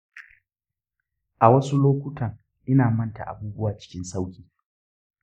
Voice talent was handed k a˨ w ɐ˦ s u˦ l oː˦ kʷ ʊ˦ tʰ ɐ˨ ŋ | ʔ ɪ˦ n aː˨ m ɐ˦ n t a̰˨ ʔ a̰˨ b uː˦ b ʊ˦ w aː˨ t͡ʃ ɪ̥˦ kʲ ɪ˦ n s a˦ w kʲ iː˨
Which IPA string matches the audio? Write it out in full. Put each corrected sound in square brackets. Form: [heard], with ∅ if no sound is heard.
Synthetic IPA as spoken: [ʔ] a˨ w ɐ˦ s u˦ l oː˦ kʷ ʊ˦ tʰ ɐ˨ ŋ | ʔ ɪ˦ n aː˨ m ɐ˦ n t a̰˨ ʔ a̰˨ b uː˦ b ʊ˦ w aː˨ t͡ʃ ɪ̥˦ kʲ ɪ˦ n s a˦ w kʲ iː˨

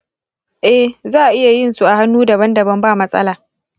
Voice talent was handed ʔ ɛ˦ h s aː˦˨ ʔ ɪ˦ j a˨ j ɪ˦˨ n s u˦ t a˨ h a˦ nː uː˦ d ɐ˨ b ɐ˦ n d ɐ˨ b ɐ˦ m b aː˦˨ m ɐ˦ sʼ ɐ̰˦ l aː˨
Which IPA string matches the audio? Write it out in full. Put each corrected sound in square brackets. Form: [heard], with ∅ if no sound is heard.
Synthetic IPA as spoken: ʔ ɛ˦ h [z] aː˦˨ ʔ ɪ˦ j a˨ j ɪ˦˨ n s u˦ [ʔ] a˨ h a˦ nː uː˦ d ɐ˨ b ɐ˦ n d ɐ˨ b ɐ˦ m b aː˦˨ m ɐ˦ sʼ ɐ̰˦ l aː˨

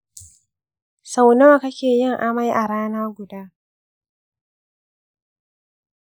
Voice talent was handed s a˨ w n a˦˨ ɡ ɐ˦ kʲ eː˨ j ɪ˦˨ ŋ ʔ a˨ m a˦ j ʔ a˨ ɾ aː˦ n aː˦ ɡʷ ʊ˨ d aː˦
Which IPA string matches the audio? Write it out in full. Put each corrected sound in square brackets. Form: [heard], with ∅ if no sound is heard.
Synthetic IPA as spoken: s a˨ w n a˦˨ [k] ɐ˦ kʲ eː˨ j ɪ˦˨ ŋ ʔ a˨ m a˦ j ʔ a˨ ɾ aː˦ n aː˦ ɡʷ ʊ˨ d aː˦

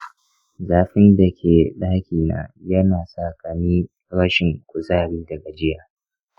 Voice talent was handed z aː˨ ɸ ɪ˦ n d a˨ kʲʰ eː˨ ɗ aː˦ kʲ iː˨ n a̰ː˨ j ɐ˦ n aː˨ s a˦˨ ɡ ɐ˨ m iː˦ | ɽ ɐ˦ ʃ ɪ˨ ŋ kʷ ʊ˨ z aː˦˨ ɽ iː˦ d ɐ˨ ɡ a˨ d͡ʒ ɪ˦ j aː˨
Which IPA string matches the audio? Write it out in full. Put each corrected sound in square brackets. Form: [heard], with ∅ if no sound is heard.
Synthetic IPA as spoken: z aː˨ ɸ ɪ˦ n d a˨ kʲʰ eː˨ ɗ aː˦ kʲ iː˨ n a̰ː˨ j ɐ˦ n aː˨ s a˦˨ [k] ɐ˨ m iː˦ | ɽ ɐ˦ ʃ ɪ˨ ŋ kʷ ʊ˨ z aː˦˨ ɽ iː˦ d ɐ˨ ɡ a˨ d͡ʒ ɪ˦ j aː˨

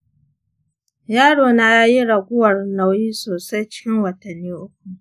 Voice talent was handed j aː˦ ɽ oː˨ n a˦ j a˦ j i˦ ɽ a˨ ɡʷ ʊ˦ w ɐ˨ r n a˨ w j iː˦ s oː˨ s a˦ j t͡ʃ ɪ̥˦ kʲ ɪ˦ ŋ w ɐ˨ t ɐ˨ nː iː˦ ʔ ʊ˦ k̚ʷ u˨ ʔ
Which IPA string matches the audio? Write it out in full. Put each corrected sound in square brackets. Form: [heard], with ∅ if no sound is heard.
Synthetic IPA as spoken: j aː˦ ɽ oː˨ n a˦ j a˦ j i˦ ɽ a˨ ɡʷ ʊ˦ w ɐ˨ r n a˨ w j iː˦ s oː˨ s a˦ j t͡ʃ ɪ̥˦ kʲ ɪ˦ ŋ w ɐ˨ t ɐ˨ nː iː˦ ʔ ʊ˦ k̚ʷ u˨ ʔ

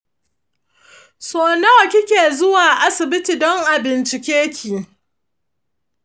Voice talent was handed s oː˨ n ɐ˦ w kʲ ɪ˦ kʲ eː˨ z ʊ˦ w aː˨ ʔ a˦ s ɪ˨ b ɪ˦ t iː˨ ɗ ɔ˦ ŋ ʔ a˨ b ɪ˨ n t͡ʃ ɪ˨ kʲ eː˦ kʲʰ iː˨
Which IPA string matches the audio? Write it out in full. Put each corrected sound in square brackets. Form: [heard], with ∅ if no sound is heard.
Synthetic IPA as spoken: s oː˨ n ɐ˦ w kʲ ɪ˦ kʲ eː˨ z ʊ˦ w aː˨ ʔ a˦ s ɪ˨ b ɪ˦ t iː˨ [d] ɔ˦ ŋ ʔ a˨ b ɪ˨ n t͡ʃ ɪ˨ kʲ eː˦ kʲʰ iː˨

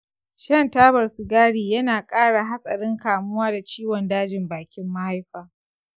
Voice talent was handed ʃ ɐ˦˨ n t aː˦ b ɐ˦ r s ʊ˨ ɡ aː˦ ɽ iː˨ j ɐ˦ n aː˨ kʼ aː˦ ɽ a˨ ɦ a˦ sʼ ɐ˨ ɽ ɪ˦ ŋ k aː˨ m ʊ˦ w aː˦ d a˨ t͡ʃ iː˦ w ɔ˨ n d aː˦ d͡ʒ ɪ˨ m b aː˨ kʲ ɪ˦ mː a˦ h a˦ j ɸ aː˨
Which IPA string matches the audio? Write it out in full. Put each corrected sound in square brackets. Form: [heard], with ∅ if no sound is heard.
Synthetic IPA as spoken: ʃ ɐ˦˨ n t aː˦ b [ɐ˨] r s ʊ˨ ɡ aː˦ ɽ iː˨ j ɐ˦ n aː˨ kʼ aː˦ ɽ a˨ ɦ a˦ sʼ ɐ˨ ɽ ɪ˦ ŋ k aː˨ m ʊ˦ w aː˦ d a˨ t͡ʃ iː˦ w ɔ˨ n d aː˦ d͡ʒ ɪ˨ m b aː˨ kʲ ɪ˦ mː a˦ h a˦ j ɸ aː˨

